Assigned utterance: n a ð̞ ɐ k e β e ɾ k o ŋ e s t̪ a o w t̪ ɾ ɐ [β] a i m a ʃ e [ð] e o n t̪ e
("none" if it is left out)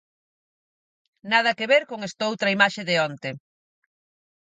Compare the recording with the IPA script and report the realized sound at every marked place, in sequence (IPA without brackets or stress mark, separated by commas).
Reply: none, ð